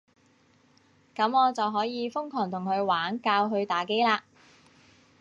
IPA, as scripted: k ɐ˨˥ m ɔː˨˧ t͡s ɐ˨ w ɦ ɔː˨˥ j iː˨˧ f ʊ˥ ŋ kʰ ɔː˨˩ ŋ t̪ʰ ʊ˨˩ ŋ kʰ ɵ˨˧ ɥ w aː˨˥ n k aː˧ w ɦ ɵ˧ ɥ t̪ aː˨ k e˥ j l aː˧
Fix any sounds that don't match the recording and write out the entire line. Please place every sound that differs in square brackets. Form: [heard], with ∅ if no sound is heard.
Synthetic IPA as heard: k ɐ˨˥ m ɔː˨˧ t͡s ɐ˨ w ɦ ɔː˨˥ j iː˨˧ f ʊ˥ ŋ kʰ ɔː˨˩ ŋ t̪ʰ ʊ˨˩ ŋ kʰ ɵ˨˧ ɥ w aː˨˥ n k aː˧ w ɦ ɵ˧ ɥ t̪ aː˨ k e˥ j l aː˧